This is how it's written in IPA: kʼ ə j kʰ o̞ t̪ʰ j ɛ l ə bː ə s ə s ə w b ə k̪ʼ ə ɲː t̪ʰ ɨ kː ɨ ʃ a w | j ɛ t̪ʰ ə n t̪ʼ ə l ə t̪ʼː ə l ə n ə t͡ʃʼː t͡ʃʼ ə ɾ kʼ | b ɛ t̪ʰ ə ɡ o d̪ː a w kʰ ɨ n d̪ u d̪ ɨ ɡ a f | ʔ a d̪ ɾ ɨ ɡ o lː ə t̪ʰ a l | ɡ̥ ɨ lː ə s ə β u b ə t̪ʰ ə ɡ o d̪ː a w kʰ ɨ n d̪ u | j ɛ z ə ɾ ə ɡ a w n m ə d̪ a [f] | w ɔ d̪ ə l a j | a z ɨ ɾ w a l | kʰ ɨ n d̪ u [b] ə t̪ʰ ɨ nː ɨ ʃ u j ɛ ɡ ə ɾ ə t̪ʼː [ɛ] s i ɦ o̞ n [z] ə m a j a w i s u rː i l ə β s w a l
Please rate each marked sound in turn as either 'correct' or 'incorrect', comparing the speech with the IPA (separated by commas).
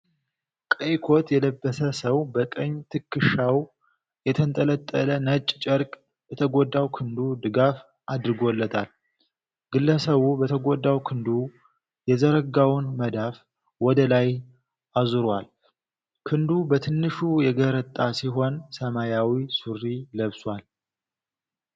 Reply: correct, correct, incorrect, incorrect